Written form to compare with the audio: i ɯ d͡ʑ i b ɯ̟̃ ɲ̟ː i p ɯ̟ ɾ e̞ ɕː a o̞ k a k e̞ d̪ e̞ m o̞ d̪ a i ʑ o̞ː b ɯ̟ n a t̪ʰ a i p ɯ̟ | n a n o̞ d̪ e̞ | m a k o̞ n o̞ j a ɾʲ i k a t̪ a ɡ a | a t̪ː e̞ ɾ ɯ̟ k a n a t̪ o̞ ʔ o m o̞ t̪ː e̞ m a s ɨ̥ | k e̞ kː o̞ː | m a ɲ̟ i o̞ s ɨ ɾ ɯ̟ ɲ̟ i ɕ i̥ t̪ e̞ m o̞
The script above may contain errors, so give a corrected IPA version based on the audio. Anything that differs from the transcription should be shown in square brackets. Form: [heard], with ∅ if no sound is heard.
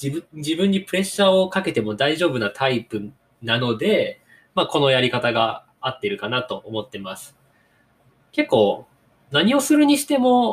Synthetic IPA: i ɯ d͡ʑ i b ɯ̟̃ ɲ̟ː i p ɯ̟ ɾ e̞ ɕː a o̞ k a k e̞ [t̪] e̞ m o̞ d̪ a i ʑ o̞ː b ɯ̟ n a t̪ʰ a i p ɯ̟ | n a n o̞ d̪ e̞ | m a k o̞ n o̞ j a ɾʲ i k a t̪ a ɡ a | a t̪ː e̞ ɾ ɯ̟ k a n a t̪ o̞ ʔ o m o̞ t̪ː e̞ m a s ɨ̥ | k e̞ kː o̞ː | [n] a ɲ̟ i o̞ s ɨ ɾ ɯ̟ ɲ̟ i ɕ i̥ t̪ e̞ m o̞